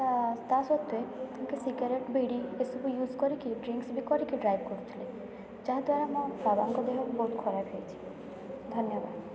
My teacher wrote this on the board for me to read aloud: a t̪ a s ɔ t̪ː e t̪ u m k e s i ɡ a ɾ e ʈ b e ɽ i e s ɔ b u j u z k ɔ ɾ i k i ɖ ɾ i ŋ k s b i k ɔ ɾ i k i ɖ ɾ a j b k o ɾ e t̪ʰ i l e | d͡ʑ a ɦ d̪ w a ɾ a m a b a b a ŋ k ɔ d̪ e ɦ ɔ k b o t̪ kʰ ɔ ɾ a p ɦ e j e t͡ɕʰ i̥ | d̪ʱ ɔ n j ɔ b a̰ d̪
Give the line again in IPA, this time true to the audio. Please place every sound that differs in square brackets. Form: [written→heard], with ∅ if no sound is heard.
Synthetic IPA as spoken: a t̪ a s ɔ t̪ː e t̪ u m k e s i ɡ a ɾ e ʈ b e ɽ i e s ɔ b u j u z k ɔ ɾ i k i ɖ ɾ i ŋ k s b i k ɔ ɾ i k i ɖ ɾ a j b k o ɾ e t̪ʰ i l e | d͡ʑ a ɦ d̪ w a ɾ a m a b a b a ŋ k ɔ d̪ e ɦ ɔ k b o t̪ kʰ ɔ ɾ a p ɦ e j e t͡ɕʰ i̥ | d̪ʱ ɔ n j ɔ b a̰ d̪